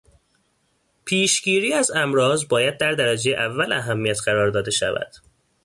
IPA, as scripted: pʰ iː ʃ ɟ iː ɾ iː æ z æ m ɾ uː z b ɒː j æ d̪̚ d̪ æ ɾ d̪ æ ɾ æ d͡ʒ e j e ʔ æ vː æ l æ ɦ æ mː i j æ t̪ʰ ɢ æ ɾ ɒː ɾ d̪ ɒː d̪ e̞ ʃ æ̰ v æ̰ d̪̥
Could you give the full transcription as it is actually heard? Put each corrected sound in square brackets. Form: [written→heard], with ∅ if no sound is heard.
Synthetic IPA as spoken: pʰ iː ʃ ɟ iː ɾ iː æ z æ m ɾ [uː→ɒː] z b ɒː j æ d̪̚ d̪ æ ɾ d̪ æ ɾ æ d͡ʒ e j e ʔ æ vː æ l æ ɦ æ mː i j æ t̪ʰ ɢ æ ɾ ɒː ɾ d̪ ɒː d̪ e̞ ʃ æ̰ v æ̰ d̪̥